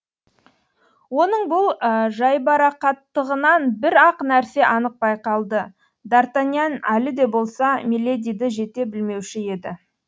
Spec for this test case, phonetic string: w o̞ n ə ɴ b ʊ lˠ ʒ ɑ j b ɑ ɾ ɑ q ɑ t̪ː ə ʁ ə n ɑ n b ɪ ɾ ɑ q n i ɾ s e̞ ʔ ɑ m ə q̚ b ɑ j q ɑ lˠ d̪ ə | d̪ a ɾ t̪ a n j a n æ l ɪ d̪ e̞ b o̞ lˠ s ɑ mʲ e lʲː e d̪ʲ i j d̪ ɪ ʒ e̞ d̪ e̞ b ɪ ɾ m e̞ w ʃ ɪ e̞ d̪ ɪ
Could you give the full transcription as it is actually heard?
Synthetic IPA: w o̞ n ə ɴ b ʊ lˠ ʒ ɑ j b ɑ ɾ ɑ q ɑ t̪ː ə ʁ ə n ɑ n b ɪ ɾ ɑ q n æ ɾ s e̞ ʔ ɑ n ə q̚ b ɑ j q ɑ lˠ d̪ ə | d̪ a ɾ t̪ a n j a n æ l ɪ d̪ e̞ b o̞ lˠ s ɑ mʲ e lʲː e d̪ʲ i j d̪ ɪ ʒ e̞ t̪ e̞ b ɪ l m e̞ w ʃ ɪ e̞ d̪ ɪ